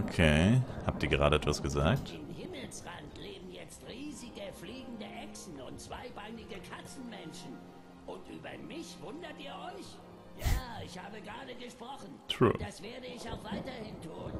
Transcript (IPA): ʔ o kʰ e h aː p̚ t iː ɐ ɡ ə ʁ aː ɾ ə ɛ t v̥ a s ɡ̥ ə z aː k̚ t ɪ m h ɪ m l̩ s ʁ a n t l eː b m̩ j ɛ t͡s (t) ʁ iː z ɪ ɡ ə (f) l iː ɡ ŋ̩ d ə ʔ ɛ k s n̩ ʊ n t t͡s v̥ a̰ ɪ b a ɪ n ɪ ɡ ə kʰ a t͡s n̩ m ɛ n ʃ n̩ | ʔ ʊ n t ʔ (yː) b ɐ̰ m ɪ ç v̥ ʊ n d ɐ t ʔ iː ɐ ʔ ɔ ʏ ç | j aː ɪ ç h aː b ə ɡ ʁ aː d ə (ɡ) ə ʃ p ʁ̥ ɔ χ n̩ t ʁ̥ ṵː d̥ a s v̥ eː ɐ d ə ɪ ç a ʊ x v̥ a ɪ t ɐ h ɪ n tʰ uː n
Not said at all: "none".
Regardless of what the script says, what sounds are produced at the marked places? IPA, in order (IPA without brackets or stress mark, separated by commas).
t, f, yː, ɡ